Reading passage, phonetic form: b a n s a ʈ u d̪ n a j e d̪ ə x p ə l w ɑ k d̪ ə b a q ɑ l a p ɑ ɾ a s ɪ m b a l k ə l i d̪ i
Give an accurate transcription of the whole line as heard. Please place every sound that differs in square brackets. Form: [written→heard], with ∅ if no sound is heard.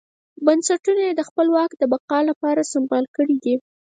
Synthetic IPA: b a n s a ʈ u [d̪→∅] n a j e d̪ ə x p ə l w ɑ k d̪ ə b a q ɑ l a p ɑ ɾ a s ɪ m b [a→ɑ] l k ə [l→ɽ] i d̪ i